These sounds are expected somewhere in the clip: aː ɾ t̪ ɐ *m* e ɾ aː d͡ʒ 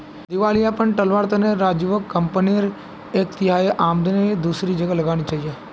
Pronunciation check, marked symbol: incorrect: n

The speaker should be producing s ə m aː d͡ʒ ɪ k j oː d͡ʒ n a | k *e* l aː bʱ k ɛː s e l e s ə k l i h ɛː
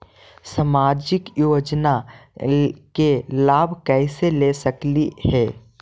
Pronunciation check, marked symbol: correct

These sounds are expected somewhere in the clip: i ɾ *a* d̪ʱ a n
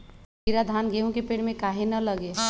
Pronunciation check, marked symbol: correct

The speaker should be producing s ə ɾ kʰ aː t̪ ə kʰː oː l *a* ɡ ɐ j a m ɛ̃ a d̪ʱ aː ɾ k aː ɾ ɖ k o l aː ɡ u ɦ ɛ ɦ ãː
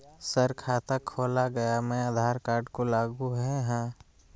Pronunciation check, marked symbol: correct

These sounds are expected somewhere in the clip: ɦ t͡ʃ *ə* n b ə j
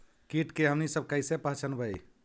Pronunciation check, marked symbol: correct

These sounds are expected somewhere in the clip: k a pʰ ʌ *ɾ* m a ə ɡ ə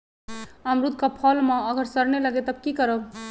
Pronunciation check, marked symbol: incorrect: l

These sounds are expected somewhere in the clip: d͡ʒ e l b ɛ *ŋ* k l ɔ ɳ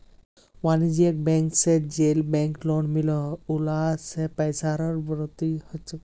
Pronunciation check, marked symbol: correct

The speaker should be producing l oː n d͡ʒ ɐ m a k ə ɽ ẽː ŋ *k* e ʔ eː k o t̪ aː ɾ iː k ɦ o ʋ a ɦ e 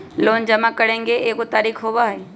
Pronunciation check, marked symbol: incorrect: ɡ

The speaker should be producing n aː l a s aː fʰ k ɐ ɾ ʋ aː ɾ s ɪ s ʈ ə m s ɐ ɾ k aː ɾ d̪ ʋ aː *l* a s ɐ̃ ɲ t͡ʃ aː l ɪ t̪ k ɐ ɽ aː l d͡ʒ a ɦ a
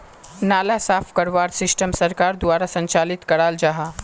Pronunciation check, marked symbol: incorrect: ɾ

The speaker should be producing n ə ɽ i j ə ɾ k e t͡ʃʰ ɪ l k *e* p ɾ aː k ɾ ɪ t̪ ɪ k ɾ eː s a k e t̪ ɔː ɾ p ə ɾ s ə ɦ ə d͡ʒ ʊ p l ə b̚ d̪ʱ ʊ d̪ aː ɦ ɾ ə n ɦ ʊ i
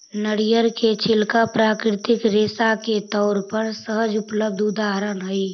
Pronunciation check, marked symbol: incorrect: a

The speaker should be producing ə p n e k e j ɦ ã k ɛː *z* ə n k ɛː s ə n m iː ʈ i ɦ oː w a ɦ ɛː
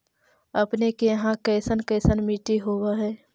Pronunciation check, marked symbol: incorrect: s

